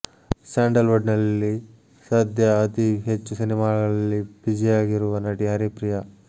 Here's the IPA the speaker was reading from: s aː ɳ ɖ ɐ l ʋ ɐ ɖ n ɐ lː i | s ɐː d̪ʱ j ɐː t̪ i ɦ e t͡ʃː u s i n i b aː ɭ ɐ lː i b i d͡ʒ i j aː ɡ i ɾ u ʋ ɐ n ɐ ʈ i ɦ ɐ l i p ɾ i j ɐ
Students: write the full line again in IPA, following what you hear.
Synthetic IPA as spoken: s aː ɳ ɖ ɐ l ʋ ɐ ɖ n ɐ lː i | s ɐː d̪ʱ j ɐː t̪ i ɦ e t͡ʃː u s i n i m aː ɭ ɐ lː i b i d͡ʒ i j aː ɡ i ɾ u ʋ ɐ n ɐ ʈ i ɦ ɐ ɾ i p ɾ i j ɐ